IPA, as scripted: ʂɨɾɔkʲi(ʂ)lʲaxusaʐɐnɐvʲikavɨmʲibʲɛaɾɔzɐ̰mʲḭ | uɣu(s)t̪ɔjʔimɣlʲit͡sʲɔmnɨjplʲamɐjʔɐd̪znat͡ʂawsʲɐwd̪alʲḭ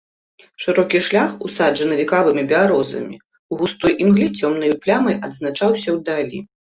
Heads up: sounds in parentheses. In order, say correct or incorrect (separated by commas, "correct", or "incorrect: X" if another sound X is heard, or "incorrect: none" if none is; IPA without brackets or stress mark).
correct, correct